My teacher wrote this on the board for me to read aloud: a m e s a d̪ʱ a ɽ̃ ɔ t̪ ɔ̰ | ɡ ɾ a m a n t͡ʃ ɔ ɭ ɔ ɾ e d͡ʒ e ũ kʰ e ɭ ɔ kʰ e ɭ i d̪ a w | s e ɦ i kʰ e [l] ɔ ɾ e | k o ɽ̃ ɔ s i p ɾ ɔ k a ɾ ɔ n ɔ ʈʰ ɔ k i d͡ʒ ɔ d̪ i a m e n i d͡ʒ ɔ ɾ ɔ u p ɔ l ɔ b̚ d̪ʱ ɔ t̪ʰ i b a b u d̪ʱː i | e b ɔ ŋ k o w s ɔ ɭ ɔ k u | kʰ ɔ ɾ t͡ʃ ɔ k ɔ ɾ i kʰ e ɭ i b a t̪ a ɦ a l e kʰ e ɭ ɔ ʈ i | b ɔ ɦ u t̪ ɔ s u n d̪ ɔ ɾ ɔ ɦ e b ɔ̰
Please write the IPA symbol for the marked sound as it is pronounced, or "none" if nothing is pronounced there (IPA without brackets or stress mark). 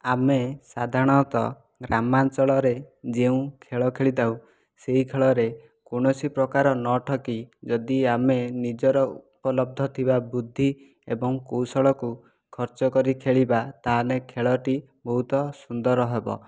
ɭ